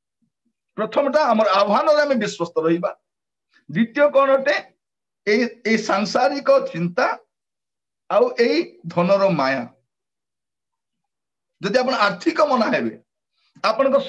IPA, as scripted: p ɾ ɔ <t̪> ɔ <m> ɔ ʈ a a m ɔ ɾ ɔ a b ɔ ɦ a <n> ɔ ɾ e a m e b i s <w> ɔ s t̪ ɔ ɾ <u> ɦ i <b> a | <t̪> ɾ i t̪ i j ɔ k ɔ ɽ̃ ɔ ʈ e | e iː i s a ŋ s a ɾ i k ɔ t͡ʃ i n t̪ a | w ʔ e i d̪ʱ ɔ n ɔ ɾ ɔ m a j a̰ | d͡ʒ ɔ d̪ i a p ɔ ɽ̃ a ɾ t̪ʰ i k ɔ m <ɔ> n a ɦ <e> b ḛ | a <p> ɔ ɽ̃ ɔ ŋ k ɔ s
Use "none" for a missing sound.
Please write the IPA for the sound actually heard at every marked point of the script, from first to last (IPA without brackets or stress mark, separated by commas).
t̪ʰ, m, n, w, ɔ, b, d̪, ɔ, e, p